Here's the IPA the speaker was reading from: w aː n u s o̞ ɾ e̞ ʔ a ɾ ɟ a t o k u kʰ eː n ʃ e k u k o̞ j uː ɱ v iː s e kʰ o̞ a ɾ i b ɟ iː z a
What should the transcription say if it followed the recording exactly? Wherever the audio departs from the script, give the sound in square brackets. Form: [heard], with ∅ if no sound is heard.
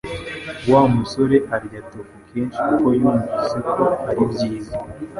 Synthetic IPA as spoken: w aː [m] u s o̞ ɾ e̞ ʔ a ɾ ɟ a t o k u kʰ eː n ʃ [i] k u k o̞ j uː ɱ v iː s e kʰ o̞ a ɾ i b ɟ iː z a